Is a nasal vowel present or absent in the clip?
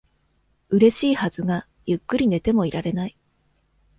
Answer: absent